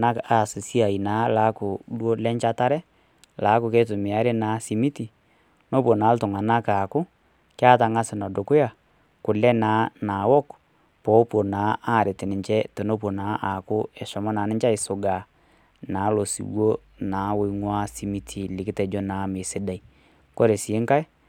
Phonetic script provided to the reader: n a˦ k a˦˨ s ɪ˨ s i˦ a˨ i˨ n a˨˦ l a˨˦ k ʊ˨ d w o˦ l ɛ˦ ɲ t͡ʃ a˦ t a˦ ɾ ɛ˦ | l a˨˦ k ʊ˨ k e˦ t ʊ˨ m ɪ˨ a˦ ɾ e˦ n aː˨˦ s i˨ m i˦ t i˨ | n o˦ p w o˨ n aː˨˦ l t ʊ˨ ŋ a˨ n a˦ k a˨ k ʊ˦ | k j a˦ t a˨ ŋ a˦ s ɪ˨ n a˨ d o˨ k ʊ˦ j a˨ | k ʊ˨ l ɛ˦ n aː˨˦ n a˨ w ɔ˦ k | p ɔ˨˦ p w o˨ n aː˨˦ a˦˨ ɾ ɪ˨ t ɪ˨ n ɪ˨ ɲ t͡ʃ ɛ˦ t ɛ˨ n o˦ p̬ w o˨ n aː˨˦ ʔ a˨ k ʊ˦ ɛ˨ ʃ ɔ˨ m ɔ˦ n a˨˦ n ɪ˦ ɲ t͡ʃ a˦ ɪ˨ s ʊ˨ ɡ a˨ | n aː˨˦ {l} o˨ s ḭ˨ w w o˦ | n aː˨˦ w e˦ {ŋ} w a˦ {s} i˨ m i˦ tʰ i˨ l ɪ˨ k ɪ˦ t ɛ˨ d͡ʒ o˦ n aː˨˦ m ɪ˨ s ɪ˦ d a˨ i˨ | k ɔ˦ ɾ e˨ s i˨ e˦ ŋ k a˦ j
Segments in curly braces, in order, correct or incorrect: correct, correct, correct

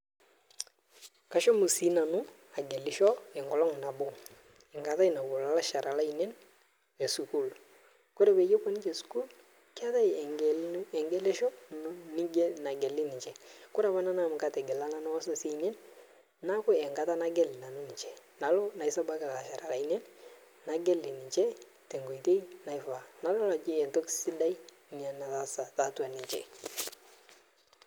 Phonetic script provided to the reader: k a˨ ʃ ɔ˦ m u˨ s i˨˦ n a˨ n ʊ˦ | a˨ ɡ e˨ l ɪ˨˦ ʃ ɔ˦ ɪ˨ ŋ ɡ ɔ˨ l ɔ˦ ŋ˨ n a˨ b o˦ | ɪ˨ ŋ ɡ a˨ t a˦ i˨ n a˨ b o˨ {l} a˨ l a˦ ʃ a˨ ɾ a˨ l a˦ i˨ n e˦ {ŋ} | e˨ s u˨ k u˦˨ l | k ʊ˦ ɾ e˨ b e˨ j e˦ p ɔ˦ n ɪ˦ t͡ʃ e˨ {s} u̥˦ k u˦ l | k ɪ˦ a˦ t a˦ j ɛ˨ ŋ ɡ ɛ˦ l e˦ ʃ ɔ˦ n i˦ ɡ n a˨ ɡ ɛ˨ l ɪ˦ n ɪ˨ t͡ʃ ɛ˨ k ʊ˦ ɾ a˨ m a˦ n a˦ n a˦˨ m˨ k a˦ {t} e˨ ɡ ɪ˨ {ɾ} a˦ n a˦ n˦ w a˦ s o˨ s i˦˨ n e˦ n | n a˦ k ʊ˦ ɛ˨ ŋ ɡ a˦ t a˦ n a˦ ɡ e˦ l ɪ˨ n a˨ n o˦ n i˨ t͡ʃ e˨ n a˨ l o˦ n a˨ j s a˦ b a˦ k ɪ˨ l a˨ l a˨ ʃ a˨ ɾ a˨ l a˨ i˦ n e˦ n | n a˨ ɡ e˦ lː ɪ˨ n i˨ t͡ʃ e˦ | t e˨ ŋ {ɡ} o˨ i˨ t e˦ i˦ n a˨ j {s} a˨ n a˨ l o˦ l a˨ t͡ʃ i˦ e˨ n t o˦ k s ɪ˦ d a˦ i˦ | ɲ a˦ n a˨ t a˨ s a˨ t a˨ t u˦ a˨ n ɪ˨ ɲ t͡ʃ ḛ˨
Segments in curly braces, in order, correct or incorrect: correct, incorrect: n, correct, correct, incorrect: l, correct, incorrect: f

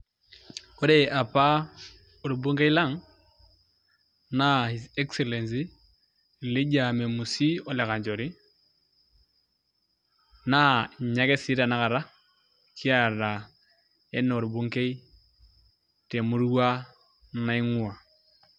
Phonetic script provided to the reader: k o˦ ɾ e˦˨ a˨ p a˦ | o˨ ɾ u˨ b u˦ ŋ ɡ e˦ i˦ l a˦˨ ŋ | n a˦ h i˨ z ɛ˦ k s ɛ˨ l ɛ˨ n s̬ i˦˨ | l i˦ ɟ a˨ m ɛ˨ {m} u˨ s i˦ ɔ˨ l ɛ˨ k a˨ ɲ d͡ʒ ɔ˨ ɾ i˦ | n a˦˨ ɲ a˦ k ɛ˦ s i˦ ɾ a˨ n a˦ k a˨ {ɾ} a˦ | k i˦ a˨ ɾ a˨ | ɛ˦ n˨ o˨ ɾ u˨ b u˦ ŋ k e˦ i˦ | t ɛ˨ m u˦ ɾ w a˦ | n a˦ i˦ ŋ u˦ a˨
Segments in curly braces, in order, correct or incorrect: correct, correct

